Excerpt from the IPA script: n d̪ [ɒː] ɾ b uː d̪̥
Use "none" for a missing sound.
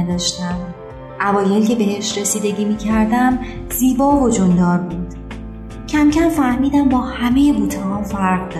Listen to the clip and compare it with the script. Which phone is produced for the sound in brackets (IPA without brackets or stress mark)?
ɒː